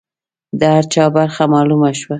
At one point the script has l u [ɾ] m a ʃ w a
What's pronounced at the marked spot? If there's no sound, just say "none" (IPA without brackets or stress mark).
none